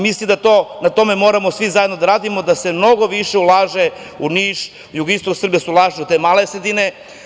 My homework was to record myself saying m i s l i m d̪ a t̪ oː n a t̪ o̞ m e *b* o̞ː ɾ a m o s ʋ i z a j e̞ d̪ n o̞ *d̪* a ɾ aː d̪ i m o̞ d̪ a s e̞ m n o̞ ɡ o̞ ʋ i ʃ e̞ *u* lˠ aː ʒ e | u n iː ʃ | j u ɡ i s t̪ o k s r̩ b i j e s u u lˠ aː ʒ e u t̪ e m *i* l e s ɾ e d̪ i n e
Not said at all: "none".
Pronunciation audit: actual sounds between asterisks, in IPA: m, d̪, u, a

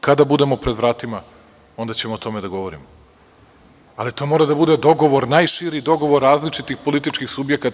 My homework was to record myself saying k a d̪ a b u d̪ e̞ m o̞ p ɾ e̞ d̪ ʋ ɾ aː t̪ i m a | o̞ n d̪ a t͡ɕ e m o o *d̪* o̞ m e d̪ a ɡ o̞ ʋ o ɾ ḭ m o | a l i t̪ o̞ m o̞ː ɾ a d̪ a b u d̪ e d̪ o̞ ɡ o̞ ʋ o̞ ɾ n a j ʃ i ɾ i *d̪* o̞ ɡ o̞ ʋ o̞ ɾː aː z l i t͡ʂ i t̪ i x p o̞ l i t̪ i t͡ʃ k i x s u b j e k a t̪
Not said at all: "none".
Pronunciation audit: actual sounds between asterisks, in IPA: t̪, d̪

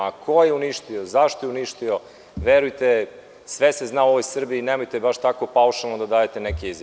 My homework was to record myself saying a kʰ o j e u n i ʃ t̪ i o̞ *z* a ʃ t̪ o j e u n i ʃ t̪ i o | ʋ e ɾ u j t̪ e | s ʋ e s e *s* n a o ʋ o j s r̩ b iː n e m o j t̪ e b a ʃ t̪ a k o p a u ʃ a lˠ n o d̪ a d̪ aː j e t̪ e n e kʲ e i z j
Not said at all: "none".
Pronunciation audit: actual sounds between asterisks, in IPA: z, z

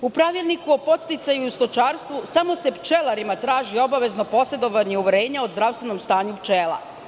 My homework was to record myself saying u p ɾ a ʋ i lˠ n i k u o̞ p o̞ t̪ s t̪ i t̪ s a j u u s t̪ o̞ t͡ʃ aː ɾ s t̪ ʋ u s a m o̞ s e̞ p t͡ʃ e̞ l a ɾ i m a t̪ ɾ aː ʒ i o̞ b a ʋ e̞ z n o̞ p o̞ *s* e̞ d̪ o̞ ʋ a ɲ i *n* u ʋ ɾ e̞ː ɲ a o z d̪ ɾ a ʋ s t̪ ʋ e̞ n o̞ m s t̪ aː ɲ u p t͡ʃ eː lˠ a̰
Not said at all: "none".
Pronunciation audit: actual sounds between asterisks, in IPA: s, none

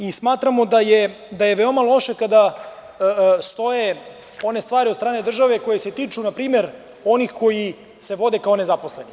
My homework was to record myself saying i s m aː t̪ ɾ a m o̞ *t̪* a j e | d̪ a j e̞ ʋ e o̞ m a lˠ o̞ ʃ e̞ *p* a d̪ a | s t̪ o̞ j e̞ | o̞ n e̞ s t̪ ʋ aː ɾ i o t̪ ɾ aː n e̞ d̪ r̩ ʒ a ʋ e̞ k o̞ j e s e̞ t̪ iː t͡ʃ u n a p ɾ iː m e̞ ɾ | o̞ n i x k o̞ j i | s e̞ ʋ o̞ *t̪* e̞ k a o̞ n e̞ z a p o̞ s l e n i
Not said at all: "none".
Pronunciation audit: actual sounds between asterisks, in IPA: d̪, k, d̪

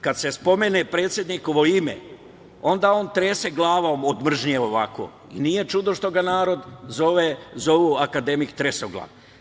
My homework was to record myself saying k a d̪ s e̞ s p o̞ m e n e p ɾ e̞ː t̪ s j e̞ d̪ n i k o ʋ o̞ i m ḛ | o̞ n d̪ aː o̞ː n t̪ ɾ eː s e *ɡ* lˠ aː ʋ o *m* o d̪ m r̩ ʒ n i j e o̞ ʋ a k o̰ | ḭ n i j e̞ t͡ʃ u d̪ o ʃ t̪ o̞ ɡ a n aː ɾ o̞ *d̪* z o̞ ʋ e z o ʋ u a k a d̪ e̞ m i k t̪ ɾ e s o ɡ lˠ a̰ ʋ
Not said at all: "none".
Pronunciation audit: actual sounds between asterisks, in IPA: ɡ, m, d̪

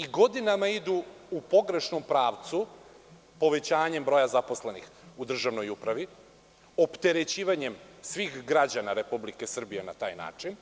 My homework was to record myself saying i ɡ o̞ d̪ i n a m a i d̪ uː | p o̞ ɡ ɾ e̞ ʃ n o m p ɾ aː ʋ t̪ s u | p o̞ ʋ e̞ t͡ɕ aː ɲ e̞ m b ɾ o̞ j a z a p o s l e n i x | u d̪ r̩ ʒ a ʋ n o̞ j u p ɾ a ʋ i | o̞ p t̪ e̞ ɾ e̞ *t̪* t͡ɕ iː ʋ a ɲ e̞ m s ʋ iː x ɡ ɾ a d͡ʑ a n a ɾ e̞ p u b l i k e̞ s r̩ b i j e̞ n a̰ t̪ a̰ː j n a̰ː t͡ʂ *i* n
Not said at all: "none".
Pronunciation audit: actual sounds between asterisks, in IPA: none, i

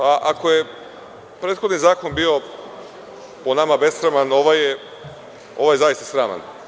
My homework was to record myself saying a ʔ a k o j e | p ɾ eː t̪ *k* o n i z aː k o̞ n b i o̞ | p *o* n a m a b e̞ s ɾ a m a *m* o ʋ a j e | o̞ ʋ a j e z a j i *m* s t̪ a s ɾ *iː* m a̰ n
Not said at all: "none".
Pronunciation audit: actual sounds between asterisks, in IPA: x, o, n, none, aː

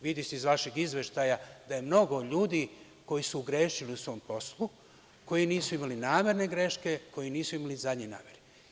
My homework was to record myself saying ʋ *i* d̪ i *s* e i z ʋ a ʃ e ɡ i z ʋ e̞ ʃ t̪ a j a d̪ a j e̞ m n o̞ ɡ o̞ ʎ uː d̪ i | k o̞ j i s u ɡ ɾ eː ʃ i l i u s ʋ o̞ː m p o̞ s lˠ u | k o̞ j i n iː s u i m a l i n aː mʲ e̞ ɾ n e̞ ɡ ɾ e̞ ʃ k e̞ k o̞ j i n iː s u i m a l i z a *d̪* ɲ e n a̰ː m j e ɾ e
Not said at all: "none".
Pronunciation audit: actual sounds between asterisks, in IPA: i, s, d̪

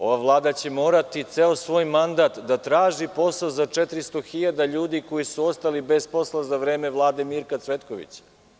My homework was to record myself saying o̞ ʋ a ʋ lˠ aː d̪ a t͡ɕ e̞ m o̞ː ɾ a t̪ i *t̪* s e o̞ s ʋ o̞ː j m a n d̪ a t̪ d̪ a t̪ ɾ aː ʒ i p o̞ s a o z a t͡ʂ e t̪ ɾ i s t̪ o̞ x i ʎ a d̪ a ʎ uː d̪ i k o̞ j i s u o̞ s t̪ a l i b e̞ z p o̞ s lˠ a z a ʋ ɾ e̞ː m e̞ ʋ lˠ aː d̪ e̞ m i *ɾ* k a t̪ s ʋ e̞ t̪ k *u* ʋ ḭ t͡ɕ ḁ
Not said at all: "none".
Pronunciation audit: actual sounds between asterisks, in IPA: t̪, ɾ, o

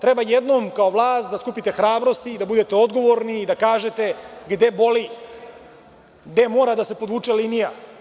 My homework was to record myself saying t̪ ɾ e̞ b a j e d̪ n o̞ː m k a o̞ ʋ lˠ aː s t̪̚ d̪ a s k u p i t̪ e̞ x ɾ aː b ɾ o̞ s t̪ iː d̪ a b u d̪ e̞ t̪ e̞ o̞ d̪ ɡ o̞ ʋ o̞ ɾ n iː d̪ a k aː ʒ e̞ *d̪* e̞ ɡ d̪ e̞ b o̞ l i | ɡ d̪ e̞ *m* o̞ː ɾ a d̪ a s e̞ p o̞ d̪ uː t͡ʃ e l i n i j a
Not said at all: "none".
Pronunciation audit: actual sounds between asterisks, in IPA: t̪, m

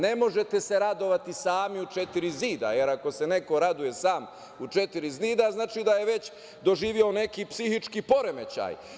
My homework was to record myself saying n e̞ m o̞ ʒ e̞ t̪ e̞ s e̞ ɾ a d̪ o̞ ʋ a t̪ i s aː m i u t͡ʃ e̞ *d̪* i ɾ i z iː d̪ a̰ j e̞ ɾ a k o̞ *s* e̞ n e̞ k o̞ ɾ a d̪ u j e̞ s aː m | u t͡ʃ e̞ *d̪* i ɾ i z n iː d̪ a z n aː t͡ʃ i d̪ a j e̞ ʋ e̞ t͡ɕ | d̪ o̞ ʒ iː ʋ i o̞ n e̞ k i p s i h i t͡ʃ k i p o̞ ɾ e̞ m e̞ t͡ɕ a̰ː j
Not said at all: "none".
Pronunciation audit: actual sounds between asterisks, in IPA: t̪, s, t̪

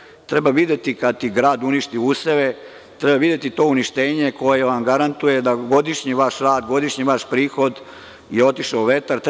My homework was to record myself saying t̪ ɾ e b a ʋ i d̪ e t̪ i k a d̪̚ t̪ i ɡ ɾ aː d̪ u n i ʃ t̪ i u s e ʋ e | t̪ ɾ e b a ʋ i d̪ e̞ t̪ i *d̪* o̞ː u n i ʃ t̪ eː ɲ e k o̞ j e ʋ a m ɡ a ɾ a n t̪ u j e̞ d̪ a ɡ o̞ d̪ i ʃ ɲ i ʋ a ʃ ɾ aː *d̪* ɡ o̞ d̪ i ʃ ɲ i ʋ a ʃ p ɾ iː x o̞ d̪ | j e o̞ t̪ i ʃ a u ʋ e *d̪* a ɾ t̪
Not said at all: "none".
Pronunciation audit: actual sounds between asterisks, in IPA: t̪, d̪, t̪

